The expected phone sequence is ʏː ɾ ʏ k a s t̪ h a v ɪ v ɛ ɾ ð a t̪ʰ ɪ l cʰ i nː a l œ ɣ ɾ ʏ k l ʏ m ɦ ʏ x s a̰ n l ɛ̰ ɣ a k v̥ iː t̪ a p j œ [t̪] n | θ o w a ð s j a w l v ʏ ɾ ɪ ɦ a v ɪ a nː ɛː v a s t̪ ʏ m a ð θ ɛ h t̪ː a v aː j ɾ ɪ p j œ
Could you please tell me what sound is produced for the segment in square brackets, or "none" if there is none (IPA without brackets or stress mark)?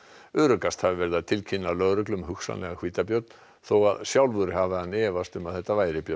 t̪